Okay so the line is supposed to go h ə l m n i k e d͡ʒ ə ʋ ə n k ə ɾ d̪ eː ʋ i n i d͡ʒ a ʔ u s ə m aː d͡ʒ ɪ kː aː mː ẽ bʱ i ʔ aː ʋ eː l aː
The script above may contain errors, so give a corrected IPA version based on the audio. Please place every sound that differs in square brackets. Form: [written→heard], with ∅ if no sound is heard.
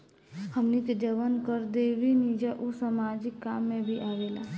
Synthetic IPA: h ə [l→∅] m n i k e d͡ʒ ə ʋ ə n k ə ɾ d̪ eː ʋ i n i d͡ʒ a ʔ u s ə m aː d͡ʒ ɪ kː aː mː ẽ bʱ i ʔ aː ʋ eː l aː